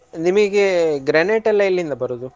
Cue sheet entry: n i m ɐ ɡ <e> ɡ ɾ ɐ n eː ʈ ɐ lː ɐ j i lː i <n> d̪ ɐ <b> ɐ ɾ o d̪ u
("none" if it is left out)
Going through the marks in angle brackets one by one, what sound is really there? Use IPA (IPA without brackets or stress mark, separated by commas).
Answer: e, n, b